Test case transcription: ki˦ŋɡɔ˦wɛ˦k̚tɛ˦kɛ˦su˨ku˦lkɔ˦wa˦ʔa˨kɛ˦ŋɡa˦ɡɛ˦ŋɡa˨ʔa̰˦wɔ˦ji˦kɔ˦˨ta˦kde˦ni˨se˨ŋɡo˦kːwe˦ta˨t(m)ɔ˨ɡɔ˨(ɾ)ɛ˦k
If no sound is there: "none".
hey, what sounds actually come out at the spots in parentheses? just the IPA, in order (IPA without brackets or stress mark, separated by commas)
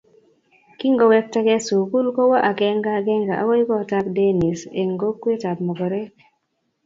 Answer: m, ɾ